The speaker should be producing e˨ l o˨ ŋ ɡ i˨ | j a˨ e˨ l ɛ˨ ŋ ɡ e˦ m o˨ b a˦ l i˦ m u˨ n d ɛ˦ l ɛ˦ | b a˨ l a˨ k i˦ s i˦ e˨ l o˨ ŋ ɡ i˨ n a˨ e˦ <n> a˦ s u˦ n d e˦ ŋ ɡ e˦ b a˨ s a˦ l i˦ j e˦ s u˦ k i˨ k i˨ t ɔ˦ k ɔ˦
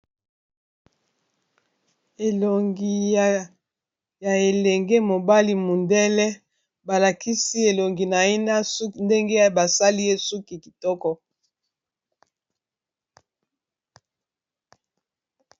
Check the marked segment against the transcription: correct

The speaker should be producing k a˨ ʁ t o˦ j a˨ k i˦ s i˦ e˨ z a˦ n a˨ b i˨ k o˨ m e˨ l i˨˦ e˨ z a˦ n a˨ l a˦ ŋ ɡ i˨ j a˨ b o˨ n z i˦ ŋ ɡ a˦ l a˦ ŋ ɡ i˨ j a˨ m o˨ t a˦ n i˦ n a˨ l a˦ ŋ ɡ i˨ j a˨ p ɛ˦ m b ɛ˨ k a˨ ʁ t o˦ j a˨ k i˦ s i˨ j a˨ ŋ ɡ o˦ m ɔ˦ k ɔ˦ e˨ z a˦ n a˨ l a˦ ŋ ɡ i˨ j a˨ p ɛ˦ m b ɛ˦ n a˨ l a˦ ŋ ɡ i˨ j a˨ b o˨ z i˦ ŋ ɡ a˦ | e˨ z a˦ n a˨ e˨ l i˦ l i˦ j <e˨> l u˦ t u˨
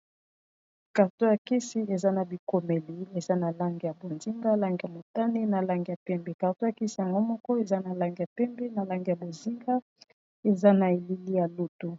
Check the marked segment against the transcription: incorrect: a˨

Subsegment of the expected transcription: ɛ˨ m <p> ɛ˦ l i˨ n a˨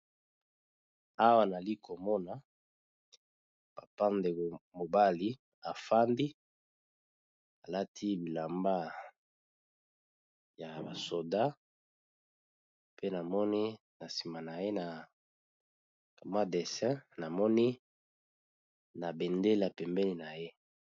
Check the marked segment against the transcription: incorrect: b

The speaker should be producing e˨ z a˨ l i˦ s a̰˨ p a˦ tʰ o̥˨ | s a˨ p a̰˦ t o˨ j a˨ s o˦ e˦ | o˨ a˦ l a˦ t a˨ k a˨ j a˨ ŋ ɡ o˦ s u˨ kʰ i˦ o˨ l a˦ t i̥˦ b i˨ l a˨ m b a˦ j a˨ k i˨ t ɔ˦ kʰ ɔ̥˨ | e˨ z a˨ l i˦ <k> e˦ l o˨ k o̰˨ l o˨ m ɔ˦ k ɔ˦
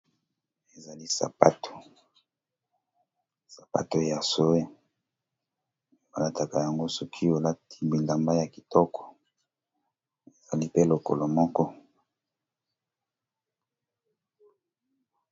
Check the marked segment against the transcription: incorrect: p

